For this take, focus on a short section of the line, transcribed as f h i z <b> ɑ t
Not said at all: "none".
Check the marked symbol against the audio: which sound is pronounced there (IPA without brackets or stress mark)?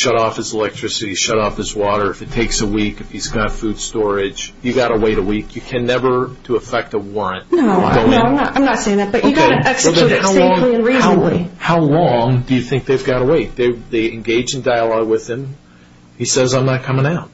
ɡ